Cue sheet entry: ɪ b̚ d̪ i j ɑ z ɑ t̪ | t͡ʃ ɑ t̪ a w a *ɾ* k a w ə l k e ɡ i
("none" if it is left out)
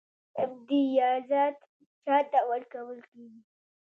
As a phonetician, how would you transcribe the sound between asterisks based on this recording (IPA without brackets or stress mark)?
l